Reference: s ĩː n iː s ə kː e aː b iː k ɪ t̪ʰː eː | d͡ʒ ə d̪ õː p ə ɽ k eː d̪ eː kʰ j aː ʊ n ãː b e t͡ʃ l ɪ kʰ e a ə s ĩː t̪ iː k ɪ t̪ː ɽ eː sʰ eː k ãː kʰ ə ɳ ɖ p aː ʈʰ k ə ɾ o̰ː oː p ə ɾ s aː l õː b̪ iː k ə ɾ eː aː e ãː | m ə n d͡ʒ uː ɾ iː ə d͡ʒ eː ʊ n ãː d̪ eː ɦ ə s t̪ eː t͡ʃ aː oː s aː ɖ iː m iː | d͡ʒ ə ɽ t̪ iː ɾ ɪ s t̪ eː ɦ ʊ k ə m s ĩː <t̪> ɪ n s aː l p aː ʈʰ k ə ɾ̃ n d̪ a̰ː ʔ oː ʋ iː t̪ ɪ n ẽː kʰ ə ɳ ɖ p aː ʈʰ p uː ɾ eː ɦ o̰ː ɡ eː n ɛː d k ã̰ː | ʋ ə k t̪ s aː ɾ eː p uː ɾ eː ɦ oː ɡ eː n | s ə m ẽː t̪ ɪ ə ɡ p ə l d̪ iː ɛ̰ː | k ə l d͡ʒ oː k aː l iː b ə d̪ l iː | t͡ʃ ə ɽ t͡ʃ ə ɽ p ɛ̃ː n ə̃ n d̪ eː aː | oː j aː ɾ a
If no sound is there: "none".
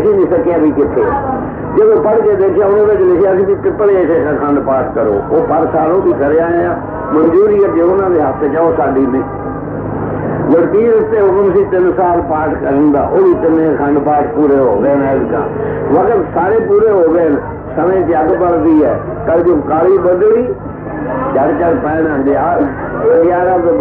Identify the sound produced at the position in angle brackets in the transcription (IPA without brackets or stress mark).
t̪